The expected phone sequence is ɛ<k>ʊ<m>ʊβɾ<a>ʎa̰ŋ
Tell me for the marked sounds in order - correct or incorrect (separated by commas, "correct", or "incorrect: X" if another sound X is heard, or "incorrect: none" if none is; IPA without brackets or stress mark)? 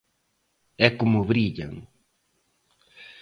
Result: correct, correct, incorrect: i